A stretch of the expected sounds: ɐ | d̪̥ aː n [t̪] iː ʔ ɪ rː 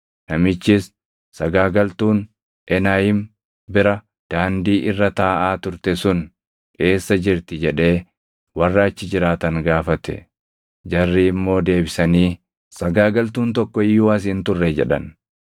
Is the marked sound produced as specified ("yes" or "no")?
no